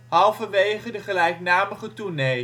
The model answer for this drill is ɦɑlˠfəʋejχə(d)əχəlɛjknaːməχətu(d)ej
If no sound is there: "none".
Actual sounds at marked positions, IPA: d, n

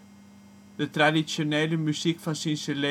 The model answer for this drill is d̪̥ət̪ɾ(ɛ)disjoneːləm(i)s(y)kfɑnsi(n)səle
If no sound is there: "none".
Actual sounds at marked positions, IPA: a, y, i, n

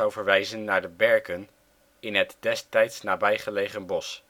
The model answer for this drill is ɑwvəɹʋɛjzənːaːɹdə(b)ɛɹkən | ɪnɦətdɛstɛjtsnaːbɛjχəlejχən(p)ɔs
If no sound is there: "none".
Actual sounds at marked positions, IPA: b, b

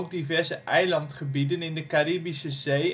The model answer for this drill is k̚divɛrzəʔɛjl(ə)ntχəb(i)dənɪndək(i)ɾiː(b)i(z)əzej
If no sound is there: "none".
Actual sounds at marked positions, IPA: ɑ, i, a, b, s

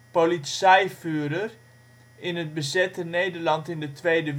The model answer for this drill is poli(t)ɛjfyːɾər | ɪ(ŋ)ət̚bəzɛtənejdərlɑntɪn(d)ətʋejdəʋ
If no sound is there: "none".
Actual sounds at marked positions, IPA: s, n, d

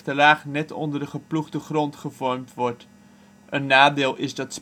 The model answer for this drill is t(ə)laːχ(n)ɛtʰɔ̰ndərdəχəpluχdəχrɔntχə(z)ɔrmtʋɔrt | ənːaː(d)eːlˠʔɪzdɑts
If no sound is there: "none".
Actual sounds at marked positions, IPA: ə, n, v, d

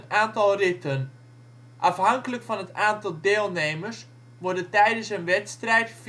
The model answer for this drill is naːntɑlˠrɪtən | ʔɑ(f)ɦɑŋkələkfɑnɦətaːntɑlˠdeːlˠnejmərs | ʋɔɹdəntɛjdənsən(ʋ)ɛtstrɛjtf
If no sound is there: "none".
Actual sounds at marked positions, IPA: f, ʋ

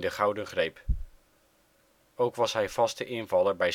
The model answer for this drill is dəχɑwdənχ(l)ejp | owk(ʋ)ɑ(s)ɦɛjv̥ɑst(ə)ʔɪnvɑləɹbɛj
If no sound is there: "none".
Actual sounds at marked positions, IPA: r, ʋ, s, ə

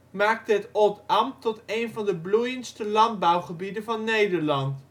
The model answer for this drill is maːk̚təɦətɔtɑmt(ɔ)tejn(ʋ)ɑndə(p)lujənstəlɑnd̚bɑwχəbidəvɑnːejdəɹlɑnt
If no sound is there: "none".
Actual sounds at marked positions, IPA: ɔ, v, b

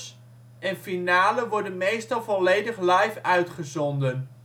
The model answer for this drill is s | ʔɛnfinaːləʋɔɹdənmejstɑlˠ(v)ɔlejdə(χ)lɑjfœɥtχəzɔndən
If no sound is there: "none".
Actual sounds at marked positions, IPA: v, χ

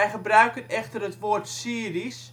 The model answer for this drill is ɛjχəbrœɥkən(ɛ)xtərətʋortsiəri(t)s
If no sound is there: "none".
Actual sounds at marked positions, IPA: ɛ, none

